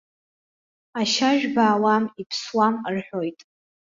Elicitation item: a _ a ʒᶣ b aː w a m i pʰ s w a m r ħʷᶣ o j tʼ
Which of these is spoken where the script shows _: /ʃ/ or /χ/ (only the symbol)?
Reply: ʃ